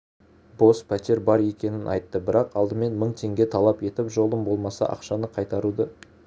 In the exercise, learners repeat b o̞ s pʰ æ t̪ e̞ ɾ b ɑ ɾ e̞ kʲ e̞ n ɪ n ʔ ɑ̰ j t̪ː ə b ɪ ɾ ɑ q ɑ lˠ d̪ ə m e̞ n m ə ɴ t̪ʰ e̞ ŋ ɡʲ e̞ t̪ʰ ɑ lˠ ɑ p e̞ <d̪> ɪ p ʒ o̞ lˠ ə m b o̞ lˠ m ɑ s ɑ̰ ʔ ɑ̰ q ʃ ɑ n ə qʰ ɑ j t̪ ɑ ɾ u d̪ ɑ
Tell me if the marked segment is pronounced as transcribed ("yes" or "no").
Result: no